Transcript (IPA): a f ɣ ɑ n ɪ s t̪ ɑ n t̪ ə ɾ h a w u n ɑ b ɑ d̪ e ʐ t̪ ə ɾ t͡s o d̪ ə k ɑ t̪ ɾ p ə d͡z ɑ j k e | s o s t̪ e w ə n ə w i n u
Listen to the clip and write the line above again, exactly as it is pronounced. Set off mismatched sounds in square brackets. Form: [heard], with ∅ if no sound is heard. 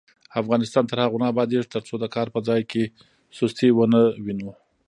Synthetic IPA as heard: a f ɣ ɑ n ɪ s t̪ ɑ n t̪ ə ɾ h a [ɣ] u n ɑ b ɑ d̪ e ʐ t̪ ə ɾ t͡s o d̪ ə k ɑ [∅] ɾ p ə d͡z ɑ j k e | s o s t̪ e w ə n ə w i n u